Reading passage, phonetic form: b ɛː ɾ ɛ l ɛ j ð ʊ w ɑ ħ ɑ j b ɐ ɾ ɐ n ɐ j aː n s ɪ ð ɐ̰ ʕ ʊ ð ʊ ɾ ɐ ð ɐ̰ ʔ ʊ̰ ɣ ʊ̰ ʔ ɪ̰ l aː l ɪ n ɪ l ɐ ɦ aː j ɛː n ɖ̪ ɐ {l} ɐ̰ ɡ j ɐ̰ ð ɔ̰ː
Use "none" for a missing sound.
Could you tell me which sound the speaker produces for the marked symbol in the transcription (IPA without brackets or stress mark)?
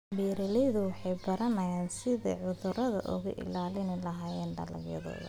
l